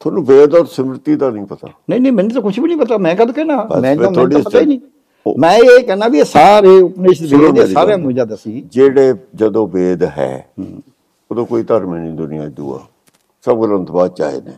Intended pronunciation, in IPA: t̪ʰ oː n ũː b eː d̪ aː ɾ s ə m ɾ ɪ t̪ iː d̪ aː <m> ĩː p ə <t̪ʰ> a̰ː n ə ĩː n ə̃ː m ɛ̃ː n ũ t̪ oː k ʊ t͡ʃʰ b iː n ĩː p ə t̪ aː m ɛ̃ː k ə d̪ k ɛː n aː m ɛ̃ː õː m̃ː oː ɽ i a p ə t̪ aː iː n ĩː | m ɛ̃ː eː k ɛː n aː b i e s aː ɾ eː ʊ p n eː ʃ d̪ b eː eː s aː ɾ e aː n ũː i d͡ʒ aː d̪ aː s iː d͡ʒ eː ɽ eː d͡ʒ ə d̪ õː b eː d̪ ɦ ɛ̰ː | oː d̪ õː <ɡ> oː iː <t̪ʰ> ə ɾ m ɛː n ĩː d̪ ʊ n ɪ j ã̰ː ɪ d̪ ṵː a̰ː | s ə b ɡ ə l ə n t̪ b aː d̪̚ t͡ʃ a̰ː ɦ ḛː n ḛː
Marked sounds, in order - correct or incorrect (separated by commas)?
incorrect, incorrect, incorrect, incorrect